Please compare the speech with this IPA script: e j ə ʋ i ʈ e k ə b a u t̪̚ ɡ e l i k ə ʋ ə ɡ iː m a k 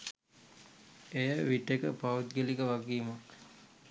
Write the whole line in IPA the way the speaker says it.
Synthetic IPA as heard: e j ə ʋ i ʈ e k ə p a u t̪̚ ɡ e l i k ə ʋ a ɡ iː m a k